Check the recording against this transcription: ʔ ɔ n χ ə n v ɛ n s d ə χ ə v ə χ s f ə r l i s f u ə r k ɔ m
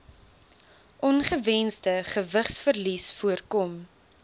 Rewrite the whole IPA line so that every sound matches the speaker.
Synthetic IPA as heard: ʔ ɔ n χ ə v ɛ n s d ə χ ə v ə χ s f ə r l i s f u ə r k ɔ m